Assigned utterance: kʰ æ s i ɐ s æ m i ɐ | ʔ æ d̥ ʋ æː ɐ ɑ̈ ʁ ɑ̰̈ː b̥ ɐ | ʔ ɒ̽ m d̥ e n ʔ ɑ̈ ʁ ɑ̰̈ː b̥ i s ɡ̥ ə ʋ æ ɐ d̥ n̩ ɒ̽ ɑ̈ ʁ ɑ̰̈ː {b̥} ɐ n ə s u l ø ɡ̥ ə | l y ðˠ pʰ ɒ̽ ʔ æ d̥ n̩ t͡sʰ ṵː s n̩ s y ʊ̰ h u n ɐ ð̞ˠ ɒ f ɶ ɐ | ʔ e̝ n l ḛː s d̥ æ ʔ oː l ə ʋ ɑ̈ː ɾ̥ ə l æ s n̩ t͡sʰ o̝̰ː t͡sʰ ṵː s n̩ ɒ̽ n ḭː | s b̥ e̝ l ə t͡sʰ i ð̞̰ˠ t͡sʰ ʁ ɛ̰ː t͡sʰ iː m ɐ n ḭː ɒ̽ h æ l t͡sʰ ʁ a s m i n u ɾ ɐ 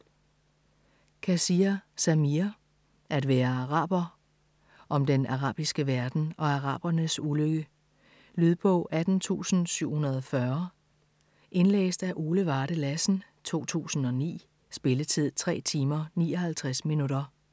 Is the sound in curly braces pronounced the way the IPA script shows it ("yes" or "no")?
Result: yes